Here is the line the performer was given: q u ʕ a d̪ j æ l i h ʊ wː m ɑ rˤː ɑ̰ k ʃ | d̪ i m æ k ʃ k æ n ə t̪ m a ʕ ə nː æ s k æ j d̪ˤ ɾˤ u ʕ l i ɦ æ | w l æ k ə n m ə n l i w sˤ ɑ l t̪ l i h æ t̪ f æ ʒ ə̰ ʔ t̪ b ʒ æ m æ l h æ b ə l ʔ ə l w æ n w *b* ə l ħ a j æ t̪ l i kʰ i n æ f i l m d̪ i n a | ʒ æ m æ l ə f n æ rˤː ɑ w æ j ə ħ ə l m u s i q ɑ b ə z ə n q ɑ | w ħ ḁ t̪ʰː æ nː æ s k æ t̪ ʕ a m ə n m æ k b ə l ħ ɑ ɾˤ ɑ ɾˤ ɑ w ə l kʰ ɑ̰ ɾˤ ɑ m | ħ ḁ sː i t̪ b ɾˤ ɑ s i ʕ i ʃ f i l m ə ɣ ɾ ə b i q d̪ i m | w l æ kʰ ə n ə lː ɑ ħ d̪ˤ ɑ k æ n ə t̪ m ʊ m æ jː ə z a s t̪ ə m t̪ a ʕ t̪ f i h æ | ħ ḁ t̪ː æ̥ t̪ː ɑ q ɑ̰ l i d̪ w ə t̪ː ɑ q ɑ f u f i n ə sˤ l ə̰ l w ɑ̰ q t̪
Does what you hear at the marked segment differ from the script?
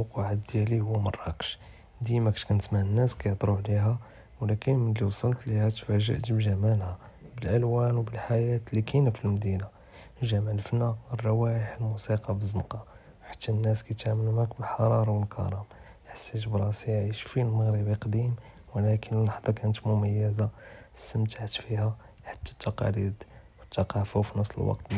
no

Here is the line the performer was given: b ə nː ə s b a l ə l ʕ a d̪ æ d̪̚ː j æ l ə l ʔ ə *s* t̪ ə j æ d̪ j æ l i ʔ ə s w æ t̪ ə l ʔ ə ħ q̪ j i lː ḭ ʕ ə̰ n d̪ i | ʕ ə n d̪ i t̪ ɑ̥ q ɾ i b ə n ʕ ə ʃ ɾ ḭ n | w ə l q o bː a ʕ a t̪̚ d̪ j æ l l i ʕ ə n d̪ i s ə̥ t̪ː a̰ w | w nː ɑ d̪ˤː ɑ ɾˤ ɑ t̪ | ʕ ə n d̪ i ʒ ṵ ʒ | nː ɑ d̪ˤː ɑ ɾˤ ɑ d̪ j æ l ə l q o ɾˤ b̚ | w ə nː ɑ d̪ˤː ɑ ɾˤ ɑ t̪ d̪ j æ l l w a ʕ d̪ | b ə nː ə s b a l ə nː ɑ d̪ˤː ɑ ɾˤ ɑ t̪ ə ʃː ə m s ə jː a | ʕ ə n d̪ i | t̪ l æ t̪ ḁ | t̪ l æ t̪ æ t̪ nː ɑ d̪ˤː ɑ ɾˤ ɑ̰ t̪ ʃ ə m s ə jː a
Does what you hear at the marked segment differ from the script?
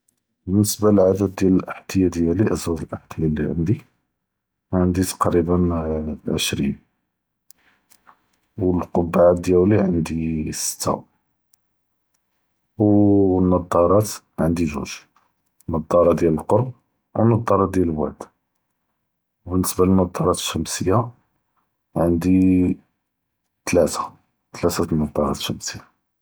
yes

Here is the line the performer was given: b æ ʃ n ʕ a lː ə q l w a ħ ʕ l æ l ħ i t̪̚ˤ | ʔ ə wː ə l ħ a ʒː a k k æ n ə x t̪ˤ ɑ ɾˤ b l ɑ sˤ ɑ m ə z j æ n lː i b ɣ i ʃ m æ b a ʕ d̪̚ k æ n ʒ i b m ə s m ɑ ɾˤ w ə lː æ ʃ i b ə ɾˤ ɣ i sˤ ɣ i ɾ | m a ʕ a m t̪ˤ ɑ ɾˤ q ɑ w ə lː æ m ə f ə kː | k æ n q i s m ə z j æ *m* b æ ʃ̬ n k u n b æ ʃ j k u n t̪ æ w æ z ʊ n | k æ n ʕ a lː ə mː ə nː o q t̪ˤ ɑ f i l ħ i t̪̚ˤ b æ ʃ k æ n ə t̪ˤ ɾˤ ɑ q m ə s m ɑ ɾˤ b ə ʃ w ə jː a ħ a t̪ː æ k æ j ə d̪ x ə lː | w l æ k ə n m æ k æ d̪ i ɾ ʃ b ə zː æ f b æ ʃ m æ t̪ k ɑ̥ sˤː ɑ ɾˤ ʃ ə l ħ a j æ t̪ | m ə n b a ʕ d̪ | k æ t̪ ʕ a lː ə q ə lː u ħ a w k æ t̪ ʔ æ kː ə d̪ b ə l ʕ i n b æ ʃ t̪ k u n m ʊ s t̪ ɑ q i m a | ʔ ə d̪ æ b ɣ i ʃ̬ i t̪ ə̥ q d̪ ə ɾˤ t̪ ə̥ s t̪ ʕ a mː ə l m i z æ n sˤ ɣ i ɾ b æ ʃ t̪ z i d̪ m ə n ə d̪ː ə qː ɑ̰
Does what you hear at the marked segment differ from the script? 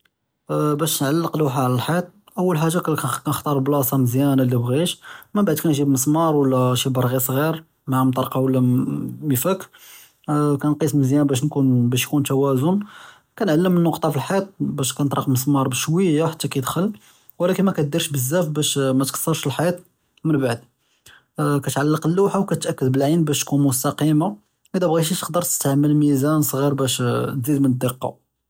yes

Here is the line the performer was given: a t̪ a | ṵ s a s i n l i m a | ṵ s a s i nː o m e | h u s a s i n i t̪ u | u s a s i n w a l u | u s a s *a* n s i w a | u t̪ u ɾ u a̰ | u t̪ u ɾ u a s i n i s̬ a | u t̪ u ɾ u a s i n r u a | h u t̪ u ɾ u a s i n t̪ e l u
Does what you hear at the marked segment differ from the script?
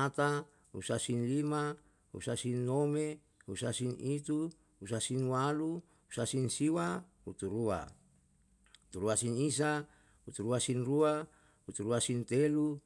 yes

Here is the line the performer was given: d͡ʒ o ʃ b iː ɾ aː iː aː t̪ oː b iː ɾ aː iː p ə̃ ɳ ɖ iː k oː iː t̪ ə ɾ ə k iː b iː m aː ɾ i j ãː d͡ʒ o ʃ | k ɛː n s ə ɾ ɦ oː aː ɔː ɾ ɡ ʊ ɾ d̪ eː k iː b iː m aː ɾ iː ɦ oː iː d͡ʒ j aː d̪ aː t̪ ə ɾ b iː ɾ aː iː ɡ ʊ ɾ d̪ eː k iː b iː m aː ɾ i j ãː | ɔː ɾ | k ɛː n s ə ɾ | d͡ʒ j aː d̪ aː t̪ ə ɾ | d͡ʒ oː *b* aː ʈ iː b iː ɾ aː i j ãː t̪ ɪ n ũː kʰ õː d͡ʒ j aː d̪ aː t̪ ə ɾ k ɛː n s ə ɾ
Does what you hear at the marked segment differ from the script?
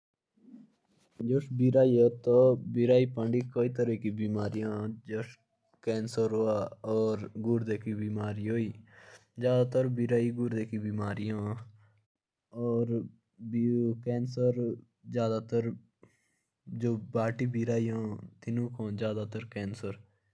no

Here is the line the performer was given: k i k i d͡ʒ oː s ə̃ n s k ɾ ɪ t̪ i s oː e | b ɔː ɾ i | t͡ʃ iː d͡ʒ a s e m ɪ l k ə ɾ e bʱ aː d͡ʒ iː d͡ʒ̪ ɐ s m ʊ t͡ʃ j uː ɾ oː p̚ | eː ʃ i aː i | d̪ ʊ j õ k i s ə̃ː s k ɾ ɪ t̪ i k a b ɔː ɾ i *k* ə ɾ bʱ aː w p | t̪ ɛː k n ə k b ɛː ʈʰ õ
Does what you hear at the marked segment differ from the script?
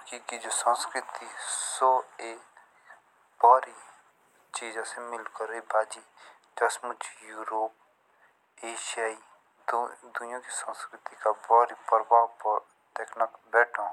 yes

